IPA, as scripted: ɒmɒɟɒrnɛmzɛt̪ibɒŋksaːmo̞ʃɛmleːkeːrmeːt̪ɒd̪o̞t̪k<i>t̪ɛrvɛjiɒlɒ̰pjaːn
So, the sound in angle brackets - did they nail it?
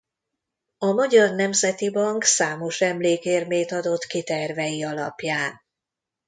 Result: yes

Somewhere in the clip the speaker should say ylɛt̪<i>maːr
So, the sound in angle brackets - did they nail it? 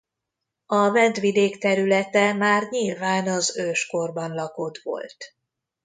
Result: no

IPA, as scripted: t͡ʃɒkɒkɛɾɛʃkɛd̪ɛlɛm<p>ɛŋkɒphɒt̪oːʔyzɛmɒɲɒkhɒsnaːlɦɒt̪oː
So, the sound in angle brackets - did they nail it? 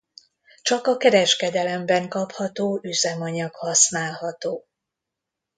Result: no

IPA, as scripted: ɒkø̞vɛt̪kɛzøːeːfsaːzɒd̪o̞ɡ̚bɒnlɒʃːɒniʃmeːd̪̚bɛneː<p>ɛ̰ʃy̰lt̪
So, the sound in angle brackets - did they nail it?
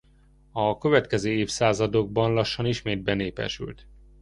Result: yes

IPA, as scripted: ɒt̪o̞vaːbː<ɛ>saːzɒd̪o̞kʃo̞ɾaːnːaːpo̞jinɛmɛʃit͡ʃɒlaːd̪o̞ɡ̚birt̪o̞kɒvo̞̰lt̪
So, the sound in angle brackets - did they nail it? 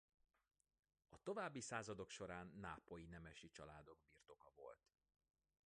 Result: no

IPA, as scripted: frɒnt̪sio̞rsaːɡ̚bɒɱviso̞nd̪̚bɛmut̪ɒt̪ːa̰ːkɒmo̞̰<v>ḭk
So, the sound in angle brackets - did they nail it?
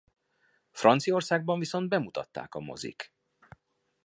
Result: no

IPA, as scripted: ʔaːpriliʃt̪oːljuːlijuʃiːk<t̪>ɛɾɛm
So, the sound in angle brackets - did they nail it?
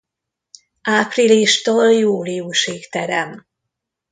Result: yes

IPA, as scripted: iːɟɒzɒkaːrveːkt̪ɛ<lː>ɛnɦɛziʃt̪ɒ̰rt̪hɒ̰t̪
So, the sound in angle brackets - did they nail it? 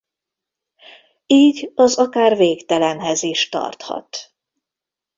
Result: no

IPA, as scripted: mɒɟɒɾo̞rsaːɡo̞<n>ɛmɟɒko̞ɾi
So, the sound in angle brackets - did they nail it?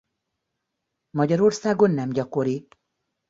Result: no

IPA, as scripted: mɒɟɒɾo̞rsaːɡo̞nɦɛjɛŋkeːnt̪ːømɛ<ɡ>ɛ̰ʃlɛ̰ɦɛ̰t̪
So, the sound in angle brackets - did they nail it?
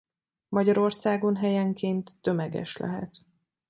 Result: yes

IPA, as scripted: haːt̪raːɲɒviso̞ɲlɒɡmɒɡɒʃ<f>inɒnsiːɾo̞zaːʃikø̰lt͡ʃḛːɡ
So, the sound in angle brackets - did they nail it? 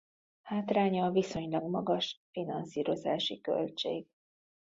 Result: yes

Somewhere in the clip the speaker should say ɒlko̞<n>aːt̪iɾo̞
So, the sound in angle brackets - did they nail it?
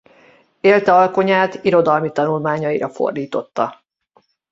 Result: no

